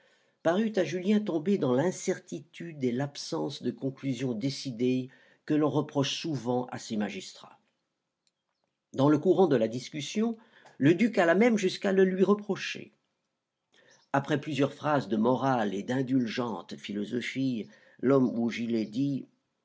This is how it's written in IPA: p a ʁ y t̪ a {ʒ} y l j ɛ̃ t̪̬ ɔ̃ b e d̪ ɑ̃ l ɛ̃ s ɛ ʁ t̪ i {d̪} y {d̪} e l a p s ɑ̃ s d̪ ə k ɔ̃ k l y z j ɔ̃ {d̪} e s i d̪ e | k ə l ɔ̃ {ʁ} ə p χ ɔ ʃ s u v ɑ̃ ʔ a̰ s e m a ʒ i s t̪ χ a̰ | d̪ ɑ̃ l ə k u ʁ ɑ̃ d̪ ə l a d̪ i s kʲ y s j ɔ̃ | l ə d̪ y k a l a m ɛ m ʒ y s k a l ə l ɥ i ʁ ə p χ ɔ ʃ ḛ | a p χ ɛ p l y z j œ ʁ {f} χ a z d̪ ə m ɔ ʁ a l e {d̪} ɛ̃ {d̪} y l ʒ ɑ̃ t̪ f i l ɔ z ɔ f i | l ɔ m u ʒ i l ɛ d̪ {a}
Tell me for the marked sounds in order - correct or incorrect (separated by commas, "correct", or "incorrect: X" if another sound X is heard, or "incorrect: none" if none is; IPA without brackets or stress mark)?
correct, incorrect: t̪, correct, correct, correct, correct, correct, correct, incorrect: i